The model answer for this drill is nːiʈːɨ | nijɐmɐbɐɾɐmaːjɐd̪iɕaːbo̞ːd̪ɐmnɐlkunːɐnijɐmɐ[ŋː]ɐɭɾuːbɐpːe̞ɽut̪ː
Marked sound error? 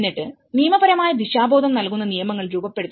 no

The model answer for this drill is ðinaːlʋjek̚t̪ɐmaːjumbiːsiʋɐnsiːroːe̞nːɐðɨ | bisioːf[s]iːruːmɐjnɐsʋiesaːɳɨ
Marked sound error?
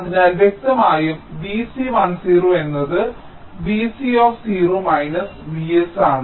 no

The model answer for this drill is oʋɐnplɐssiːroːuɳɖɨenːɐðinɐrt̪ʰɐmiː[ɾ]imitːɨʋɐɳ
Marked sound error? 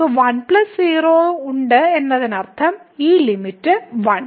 yes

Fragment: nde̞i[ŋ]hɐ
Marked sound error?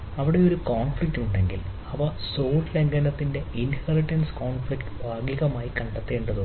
yes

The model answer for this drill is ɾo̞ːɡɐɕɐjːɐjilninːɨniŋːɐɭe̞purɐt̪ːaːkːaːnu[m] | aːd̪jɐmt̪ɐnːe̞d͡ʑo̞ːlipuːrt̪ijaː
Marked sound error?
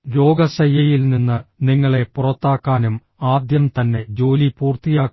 no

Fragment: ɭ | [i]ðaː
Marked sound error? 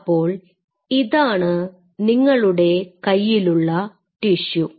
no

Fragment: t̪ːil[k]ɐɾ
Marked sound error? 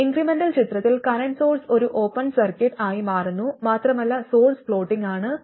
no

